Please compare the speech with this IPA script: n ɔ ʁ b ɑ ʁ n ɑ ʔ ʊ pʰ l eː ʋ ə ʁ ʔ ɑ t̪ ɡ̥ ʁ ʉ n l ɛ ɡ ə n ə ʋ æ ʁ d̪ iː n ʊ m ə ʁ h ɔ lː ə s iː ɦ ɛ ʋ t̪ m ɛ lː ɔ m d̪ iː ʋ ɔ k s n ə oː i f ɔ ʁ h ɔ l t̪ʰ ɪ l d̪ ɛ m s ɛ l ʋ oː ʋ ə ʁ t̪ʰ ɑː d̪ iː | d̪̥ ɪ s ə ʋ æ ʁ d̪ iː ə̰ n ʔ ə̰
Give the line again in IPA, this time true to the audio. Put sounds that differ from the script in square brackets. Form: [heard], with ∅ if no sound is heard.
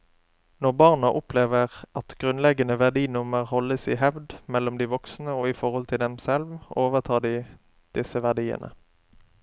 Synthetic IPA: n ɔ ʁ b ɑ ʁ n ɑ ʔ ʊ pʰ l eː ʋ ə ʁ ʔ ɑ t̪ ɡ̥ ʁ ʉ n l ɛ ɡ ə n ə ʋ æ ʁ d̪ iː n ʊ m ə ʁ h ɔ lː ə s iː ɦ ɛ ʋ [d̪] m ɛ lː ɔ m d̪ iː ʋ ɔ k s n ə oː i f ɔ ʁ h ɔ l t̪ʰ ɪ l d̪ ɛ m s ɛ l ʋ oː ʋ ə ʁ t̪ʰ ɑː d̪ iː | d̪̥ ɪ s ə ʋ æ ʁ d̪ iː ə̰ n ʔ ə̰